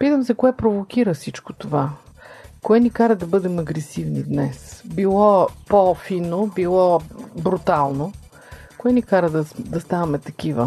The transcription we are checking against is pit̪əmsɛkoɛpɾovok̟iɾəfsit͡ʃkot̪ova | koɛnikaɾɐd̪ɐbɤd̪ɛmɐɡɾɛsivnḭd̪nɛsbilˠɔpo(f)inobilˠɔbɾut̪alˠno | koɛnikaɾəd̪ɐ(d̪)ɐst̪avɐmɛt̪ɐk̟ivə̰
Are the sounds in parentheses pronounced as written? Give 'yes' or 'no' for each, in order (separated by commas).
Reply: yes, yes